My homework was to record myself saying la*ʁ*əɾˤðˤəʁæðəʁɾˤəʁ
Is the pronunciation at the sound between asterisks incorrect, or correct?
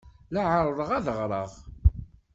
incorrect